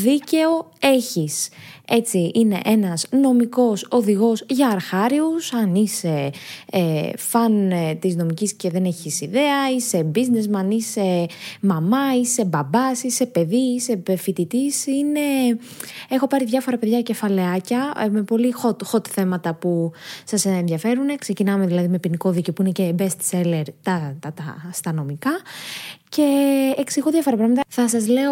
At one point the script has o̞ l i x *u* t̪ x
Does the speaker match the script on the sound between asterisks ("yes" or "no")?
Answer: no